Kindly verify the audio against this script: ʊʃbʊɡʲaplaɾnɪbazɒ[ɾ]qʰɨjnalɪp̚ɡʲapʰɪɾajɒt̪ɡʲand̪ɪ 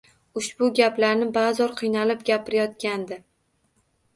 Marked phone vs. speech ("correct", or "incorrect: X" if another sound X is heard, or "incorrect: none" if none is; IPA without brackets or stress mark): correct